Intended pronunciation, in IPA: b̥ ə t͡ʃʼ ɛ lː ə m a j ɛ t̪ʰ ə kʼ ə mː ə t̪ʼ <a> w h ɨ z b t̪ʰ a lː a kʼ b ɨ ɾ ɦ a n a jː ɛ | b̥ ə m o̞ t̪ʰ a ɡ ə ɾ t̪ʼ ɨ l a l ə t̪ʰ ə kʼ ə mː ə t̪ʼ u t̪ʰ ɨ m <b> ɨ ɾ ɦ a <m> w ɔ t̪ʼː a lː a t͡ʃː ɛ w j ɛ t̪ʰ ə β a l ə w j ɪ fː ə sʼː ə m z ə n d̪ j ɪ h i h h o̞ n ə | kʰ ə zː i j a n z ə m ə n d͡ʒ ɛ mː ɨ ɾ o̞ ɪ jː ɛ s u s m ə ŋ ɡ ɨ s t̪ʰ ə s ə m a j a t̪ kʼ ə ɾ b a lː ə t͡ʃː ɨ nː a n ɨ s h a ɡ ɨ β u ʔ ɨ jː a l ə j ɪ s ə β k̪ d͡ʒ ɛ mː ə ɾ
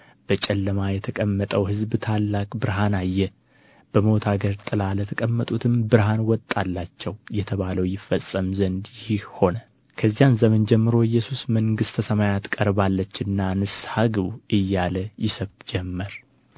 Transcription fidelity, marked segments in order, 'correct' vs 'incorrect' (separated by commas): incorrect, correct, incorrect